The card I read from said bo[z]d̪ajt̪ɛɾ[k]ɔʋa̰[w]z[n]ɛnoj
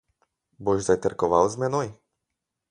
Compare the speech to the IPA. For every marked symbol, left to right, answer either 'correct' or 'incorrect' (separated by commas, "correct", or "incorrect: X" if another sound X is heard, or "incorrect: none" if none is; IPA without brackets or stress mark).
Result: incorrect: ʒ, correct, correct, incorrect: m